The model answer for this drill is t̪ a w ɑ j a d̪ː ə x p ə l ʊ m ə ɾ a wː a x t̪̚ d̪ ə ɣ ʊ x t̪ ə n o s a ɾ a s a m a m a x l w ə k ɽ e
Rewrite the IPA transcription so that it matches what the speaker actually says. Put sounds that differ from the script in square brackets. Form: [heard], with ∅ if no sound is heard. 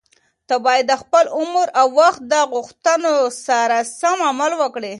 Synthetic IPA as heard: t̪ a [b] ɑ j a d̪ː ə x p ə l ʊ m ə ɾ a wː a x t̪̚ d̪ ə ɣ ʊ x t̪ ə n o s a ɾ a s a m a m a [∅] l w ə k ɽ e